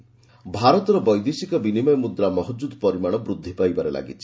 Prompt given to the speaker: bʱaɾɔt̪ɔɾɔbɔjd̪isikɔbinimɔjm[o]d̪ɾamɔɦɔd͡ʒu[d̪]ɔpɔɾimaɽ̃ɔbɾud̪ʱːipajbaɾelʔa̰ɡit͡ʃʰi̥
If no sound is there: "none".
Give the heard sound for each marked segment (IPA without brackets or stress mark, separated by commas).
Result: u, d̪